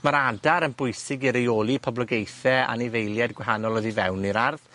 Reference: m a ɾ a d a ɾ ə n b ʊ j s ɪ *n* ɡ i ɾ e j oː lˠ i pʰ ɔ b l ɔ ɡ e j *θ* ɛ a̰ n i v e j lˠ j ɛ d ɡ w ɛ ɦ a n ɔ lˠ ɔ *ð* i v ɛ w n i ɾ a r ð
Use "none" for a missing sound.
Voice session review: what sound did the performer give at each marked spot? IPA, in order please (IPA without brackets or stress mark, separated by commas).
none, θ, ð